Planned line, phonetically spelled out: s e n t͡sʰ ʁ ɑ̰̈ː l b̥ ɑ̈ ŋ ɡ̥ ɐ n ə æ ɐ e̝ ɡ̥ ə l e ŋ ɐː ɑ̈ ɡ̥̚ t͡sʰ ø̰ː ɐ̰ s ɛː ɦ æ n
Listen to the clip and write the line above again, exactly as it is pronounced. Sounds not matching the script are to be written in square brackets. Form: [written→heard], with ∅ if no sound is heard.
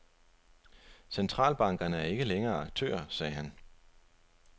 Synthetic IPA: s e n t͡sʰ ʁ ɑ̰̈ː l b̥ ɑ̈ ŋ ɡ̥ ɐ n ə æ ɐ e̝ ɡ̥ ə l e ŋ ɐː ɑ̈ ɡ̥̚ t͡sʰ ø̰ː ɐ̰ s ɛː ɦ æ n